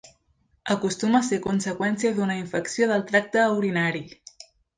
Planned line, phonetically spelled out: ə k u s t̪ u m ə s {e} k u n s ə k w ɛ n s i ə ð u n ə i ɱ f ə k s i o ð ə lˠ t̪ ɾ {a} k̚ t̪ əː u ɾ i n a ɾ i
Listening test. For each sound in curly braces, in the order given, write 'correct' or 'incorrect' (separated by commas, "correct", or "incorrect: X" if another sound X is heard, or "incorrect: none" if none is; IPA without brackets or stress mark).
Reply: correct, correct